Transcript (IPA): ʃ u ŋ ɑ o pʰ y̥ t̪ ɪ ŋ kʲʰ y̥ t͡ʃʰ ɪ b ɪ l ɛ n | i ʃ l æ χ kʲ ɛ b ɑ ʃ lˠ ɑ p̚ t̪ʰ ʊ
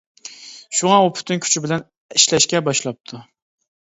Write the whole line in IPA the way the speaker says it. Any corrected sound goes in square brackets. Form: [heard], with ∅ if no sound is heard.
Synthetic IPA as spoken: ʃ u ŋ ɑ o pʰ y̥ t̪ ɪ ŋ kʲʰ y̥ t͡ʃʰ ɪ b ɪ l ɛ n | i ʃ l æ [ʃ] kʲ ɛ b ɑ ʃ lˠ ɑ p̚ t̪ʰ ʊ